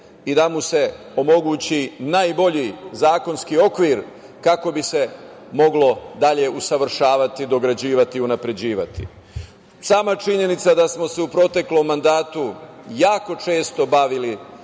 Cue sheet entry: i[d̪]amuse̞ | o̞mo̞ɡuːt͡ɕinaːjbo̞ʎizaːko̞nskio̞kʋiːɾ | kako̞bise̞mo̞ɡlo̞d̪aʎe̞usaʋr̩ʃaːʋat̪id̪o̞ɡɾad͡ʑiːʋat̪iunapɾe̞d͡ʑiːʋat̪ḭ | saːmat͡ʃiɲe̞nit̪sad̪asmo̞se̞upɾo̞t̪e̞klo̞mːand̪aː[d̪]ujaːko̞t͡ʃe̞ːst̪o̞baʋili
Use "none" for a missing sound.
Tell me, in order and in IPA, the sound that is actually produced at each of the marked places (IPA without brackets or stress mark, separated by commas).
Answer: d̪, t̪